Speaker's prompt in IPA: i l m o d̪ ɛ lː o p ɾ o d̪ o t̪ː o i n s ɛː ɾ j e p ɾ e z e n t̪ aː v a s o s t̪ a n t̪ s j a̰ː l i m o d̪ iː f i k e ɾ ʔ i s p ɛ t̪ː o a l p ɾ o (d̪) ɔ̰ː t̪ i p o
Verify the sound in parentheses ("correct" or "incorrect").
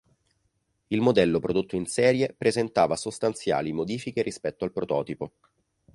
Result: incorrect